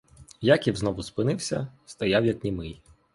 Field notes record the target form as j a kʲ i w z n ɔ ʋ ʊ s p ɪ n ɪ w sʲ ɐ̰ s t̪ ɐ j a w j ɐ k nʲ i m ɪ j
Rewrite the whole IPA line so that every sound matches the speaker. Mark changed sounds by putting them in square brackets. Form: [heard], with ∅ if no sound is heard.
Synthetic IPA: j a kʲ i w z n ɔ ʋ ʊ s p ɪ n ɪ w sʲ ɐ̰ s t̪ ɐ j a w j ɐ k nʲ i m ɪ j